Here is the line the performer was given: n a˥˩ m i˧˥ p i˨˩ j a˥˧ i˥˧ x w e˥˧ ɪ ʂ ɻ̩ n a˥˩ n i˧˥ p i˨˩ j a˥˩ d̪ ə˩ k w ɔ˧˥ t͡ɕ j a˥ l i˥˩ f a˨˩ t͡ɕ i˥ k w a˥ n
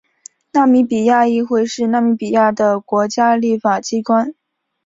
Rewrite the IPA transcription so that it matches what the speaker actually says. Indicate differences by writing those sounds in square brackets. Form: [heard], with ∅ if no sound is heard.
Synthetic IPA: n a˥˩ m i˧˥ p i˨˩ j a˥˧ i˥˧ x w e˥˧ ɪ ʂ ɻ̩ n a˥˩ [m] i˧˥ p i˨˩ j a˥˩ d̪ ə˩ k w ɔ˧˥ t͡ɕ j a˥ l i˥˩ f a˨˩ t͡ɕ i˥ k w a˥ n